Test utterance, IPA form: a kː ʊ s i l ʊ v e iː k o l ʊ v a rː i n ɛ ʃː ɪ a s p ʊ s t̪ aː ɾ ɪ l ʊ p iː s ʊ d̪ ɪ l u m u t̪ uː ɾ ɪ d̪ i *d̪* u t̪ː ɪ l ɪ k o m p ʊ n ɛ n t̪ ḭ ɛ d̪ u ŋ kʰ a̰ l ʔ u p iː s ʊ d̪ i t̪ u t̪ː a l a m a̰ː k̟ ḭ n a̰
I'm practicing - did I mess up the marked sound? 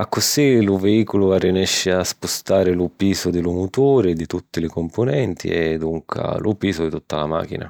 yes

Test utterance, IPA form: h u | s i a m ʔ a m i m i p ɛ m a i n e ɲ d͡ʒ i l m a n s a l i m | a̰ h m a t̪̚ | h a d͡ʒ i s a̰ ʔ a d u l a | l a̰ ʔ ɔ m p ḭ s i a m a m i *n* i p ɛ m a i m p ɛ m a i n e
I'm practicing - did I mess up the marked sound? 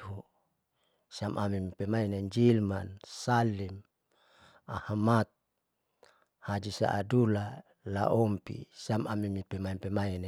yes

